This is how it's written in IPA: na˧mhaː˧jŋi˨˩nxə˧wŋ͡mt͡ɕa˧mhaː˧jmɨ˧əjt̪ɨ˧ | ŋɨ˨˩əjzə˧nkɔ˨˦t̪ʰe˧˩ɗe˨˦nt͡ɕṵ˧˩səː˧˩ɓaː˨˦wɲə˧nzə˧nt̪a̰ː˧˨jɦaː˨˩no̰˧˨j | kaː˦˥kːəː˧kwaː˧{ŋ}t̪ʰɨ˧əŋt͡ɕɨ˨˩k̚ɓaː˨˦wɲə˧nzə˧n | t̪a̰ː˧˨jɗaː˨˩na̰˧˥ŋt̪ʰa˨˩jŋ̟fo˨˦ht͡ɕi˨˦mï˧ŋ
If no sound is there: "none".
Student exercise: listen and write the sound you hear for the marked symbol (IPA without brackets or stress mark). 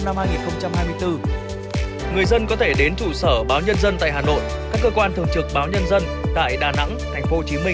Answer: n